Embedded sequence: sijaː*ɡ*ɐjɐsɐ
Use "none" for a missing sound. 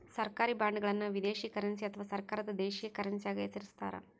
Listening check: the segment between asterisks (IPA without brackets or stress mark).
ɡ